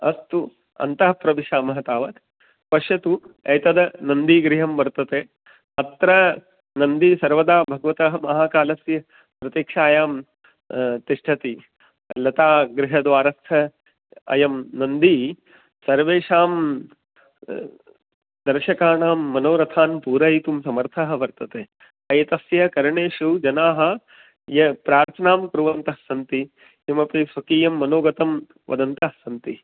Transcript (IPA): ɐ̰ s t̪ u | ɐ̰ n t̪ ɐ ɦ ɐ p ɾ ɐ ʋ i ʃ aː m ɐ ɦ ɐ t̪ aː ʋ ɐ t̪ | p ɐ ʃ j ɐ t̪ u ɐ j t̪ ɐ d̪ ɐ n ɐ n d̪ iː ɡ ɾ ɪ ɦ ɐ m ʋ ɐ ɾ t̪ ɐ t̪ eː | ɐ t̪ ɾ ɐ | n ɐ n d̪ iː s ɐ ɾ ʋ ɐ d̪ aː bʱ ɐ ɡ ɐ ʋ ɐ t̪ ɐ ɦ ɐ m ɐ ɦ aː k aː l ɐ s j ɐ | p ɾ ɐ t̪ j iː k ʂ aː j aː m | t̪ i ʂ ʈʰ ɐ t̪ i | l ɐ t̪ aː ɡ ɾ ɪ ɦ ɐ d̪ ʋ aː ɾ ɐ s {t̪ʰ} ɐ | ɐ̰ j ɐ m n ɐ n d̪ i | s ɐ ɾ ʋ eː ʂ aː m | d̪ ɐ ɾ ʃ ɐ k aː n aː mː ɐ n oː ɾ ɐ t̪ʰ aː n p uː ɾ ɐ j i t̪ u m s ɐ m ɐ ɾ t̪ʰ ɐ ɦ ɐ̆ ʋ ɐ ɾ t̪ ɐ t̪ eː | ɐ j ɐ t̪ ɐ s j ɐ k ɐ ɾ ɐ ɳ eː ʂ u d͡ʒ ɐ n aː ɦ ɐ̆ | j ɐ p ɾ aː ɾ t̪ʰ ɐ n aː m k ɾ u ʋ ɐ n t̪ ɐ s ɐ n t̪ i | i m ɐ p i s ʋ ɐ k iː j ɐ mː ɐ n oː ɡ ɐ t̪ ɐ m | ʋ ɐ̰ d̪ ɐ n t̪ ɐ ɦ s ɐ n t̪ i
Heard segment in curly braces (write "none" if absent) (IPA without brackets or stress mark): t̪ʰ